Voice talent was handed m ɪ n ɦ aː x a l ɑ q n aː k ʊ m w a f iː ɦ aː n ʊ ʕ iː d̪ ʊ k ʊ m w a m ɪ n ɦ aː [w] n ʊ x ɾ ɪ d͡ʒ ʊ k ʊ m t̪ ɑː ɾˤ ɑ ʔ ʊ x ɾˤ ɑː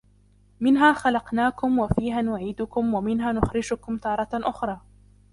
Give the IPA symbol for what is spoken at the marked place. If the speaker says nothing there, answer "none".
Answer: none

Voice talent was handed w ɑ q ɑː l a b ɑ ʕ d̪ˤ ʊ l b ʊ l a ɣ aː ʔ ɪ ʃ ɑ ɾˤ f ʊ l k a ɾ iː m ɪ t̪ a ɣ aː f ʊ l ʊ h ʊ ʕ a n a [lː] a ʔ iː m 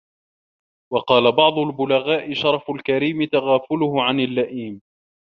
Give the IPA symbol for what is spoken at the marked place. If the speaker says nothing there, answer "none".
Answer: lː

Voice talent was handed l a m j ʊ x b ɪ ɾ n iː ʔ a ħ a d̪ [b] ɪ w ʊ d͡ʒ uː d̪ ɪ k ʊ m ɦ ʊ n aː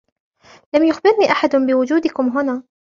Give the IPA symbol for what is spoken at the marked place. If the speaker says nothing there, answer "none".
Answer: b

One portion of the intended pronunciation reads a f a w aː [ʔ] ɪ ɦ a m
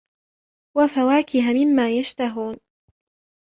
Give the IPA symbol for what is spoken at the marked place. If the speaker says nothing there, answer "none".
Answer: k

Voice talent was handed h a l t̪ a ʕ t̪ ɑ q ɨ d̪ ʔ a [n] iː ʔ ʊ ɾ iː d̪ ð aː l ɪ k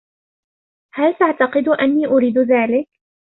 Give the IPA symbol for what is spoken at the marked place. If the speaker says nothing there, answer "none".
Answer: nː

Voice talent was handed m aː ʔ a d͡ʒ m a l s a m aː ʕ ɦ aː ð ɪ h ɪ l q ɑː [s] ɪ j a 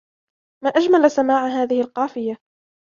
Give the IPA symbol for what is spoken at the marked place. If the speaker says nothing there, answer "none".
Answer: f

